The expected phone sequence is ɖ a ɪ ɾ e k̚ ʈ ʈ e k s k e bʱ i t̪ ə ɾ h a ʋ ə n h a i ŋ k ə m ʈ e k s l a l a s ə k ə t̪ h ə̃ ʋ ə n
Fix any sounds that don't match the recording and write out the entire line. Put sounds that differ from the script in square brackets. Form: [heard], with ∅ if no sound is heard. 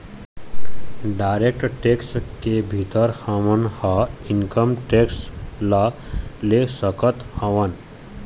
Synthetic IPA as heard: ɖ a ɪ ɾ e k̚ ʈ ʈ e k s k e bʱ i t̪ ə ɾ h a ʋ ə n h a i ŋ k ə m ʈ e k s l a l [e] s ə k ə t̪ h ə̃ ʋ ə n